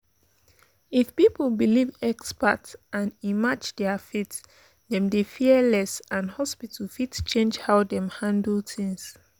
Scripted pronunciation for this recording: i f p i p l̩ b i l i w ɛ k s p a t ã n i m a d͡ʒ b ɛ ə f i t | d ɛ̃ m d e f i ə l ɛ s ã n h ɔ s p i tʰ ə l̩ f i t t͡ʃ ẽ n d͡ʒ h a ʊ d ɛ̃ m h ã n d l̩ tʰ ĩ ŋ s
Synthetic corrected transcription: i f p i p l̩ b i l i v ɛ k s p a t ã n i m a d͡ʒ d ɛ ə f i t | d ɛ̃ m d e f i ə l ɛ s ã n h ɔ s p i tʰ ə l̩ f i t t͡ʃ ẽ n d͡ʒ h a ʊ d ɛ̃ m h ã n d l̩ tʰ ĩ ŋ s